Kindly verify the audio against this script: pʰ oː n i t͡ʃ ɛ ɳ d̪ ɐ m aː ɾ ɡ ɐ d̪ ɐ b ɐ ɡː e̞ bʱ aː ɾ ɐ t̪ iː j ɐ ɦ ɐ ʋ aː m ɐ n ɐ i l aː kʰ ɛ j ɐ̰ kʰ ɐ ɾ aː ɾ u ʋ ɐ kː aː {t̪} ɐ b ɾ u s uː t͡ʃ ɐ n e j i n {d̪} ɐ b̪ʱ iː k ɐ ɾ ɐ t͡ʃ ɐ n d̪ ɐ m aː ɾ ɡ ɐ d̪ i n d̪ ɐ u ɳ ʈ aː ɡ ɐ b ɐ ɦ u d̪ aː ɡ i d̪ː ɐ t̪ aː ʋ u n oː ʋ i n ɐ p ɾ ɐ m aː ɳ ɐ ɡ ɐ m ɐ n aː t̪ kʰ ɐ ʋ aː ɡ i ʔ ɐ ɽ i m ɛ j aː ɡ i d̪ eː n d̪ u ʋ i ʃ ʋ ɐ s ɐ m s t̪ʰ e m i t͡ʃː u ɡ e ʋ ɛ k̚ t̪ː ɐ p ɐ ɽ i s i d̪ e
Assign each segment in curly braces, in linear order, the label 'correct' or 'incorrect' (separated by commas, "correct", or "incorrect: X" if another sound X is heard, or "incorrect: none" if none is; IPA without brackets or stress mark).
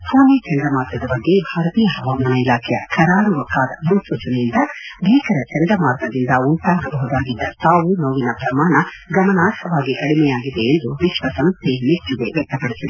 incorrect: d̪, correct